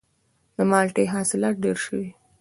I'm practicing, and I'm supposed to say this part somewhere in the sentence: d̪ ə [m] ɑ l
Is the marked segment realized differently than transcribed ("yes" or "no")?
no